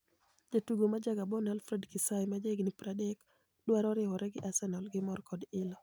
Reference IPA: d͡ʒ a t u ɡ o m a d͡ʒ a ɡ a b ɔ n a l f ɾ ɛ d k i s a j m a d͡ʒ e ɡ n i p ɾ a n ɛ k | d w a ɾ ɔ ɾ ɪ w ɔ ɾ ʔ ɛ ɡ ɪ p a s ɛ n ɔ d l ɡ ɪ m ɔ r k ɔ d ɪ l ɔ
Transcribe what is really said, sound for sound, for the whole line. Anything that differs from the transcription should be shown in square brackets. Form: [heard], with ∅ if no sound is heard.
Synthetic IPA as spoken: d͡ʒ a t u ɡ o m a d͡ʒ a ɡ a b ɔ n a l f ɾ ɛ d k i s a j m a d͡ʒ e ɡ n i p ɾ a [d] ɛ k | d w a ɾ ɔ ɾ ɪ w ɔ ɾ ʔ ɛ ɡ ɪ [ʔ] a s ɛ n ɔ [∅] l ɡ ɪ m ɔ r k ɔ d ɪ l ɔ

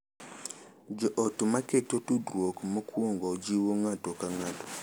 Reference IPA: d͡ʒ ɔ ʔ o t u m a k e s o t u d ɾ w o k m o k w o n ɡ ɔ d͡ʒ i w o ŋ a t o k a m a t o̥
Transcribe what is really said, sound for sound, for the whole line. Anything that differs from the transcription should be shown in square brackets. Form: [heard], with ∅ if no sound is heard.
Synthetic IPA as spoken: d͡ʒ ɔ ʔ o t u m a k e [t] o t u d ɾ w o k m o k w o [ŋ] ɡ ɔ d͡ʒ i w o ŋ a t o k a [ŋ] a t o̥

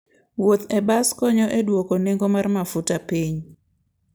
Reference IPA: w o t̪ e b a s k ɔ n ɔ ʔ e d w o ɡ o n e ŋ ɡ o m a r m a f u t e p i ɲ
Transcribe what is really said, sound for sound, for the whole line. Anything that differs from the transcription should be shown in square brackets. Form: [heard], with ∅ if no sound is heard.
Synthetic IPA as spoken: w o t̪ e b a s k ɔ [ɲ] ɔ ʔ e d w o [k] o n e ŋ ɡ o m a r m a f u t [a] p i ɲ

